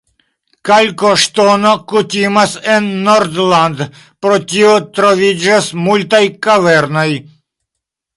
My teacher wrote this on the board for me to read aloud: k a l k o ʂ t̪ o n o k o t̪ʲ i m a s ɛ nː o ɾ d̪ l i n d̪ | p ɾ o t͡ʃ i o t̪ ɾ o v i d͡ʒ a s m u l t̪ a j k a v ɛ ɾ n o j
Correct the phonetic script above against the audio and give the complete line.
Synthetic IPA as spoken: k a l k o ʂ t̪ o n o k u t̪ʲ i m a s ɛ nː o ɾ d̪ l a n d̪ | p ɾ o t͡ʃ i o t̪ ɾ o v i d͡ʒ a s m u l t̪ a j k a v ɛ ɾ n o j